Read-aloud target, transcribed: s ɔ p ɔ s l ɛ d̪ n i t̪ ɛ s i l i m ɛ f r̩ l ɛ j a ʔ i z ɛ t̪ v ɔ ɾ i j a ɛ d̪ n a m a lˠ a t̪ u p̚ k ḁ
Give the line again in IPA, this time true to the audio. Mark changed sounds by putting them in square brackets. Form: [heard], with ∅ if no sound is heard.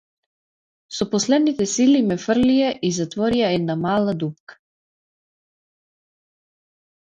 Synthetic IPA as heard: s ɔ p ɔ s l ɛ d̪ n i t̪ ɛ s i l i m ɛ f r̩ l [i] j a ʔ i z [a] t̪ v ɔ ɾ i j a ɛ d̪ n a m a lˠ a [d̪] u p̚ k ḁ

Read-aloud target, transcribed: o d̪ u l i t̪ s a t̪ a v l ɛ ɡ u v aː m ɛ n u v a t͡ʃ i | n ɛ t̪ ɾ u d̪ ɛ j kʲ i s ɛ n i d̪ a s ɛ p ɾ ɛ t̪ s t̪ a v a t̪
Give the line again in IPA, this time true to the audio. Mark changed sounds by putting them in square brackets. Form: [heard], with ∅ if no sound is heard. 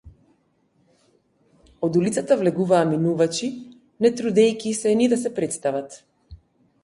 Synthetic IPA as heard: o d̪ u l i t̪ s a t̪ a v l ɛ ɡ u v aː m [i] n u v a t͡ʃ i | n ɛ t̪ ɾ u d̪ ɛ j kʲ i s ɛ n i d̪ a s ɛ p ɾ ɛ t̪ s t̪ a v a t̪

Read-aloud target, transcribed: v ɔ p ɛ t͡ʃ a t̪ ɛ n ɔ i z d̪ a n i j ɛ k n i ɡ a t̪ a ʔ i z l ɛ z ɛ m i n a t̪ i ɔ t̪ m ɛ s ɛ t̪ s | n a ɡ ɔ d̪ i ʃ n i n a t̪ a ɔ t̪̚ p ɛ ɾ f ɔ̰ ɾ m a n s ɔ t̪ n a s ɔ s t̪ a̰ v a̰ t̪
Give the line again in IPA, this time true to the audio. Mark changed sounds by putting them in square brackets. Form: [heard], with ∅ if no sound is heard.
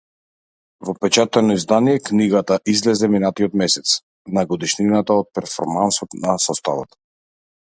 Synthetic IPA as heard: v ɔ p ɛ t͡ʃ a t̪ ɛ n ɔ i z d̪ a n i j ɛ k n i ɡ a t̪ a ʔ i z l ɛ z ɛ m i n a t̪ i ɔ t̪ m ɛ s ɛ t̪ s | n a ɡ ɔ d̪ i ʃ n i n a t̪ a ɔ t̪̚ p ɛ ɾ f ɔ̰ ɾ m a n s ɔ t̪ n a s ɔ s t̪ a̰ v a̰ t̪

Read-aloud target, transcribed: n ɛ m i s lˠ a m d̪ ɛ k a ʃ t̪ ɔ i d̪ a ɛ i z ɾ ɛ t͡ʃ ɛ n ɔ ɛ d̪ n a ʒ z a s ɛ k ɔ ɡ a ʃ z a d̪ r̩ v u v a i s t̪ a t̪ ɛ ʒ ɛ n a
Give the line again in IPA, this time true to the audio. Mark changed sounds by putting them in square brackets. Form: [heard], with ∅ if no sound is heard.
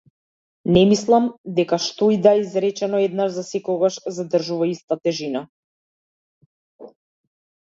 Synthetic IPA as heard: n ɛ m i s lˠ a m d̪ ɛ k a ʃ t̪ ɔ i d̪ a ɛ i z ɾ ɛ t͡ʃ ɛ n ɔ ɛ d̪ n a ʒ z a s ɛ k ɔ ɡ a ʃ z a d̪ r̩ [ʒ] u v a i s t̪ a t̪ ɛ ʒ [i] n a

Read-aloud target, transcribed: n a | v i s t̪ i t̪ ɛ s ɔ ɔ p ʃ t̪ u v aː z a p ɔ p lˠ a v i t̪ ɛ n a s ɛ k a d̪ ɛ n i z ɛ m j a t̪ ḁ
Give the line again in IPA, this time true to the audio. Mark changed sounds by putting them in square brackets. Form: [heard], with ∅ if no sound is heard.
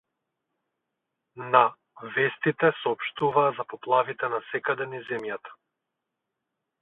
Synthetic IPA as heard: n a | v [ɛ] s t̪ i t̪ ɛ s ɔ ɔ p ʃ t̪ u v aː z a p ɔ p lˠ a v i t̪ ɛ n a s ɛ k a d̪ ɛ n i z ɛ m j a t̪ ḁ

